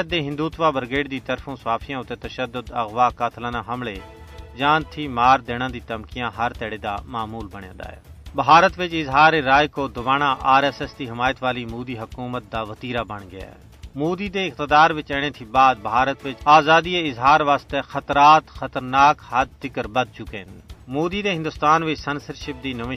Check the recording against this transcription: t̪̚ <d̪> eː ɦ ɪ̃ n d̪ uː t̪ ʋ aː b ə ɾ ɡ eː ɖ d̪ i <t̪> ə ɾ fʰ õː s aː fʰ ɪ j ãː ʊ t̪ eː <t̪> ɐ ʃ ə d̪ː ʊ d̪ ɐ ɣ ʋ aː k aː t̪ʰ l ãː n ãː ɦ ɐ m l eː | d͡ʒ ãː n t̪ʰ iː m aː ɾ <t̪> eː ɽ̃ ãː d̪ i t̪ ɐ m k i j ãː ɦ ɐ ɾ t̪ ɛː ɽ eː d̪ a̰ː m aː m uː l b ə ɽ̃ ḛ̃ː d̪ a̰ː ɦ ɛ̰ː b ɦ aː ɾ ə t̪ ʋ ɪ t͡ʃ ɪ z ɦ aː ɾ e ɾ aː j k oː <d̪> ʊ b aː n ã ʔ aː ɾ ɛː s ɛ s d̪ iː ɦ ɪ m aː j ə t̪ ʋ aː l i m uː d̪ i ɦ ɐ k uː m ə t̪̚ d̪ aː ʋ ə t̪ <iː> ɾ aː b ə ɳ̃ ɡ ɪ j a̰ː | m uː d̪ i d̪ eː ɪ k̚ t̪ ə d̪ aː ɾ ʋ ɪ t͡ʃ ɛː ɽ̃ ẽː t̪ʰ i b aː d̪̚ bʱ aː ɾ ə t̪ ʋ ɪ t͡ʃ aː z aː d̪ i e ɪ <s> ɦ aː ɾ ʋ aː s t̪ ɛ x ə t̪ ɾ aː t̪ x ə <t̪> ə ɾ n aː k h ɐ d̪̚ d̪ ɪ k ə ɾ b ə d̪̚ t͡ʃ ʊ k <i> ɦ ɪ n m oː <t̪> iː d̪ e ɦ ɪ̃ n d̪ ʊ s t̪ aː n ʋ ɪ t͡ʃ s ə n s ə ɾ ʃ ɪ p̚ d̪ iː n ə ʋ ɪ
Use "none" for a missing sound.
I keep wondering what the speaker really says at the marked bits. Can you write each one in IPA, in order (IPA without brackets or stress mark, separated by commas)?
d̪, t̪, t̪, d̪, d̪, iː, z, t̪, e, d̪